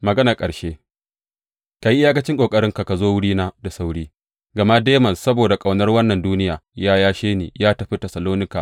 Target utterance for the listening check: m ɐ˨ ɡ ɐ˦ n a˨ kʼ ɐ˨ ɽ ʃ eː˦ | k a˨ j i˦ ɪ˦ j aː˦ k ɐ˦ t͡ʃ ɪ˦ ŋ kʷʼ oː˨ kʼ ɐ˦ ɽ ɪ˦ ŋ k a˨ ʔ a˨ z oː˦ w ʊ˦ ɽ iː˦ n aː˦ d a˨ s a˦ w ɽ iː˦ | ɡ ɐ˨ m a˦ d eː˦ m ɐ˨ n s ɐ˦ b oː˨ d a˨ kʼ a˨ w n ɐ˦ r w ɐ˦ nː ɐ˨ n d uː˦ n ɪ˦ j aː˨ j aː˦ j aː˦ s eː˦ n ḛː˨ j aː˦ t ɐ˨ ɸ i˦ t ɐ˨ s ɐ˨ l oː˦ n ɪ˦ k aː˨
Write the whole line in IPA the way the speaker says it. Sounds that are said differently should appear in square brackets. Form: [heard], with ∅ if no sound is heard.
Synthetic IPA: m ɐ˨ ɡ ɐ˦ n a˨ kʼ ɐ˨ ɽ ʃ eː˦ | k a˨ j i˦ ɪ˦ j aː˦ k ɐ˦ t͡ʃ ɪ˦ ŋ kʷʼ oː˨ kʼ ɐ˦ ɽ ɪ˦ ŋ k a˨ [k] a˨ z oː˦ w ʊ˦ ɽ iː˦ n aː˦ d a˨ s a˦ w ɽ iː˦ | ɡ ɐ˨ m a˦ d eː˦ m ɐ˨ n s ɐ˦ b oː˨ d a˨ kʼ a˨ w n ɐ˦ r w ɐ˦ nː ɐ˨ n d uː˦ n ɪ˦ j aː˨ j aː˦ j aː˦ [ʃ] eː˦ n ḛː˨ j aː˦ t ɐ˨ ɸ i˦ t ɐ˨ s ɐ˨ l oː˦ n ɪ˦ k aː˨